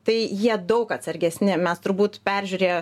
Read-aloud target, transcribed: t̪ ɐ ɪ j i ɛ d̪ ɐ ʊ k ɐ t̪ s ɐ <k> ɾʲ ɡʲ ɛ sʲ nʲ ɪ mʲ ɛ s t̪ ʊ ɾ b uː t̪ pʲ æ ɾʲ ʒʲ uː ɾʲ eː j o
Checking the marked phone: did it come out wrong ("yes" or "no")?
yes